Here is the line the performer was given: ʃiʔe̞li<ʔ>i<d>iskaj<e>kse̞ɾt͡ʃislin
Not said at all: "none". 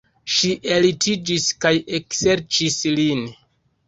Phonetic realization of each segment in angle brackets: t, d͡ʒ, e

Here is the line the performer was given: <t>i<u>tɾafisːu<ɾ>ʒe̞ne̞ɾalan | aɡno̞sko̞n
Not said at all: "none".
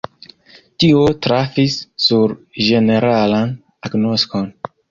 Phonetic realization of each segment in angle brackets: t, o, ɾ

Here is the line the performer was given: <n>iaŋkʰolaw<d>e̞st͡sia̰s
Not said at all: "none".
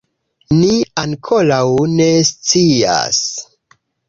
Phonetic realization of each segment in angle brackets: n, n

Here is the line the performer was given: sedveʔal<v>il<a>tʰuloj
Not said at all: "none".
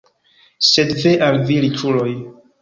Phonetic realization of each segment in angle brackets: v, i

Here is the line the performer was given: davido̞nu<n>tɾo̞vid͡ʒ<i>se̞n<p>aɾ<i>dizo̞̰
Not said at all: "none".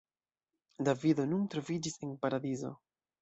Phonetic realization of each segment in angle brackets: n, i, p, a

